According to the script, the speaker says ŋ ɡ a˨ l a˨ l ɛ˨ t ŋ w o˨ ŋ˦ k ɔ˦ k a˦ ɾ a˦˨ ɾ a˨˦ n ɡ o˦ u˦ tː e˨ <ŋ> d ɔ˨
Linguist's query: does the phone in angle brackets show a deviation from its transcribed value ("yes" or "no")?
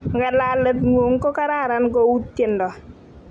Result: yes